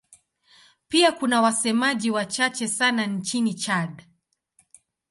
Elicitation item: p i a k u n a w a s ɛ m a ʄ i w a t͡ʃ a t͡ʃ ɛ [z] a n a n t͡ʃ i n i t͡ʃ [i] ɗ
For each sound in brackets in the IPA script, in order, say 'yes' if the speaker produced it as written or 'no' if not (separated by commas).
no, no